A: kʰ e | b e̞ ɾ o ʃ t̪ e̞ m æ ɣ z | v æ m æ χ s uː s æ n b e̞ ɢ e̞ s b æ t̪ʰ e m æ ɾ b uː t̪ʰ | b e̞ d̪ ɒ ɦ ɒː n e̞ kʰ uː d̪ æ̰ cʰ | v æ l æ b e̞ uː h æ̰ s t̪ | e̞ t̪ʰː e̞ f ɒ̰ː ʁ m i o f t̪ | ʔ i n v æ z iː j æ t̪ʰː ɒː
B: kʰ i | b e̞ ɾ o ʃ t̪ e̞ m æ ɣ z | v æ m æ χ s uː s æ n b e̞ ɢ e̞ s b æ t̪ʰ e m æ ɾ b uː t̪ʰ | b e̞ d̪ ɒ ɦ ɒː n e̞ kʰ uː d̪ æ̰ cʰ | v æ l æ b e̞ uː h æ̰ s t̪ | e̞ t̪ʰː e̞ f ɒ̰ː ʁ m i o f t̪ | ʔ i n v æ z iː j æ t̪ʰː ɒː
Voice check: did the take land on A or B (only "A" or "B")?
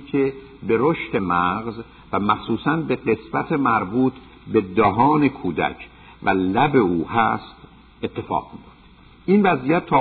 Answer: A